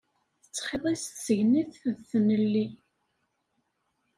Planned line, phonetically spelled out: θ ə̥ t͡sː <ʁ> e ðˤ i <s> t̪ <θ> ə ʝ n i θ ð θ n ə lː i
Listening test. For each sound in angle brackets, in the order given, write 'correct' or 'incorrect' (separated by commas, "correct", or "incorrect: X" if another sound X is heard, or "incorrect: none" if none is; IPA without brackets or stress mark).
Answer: incorrect: χ, correct, incorrect: s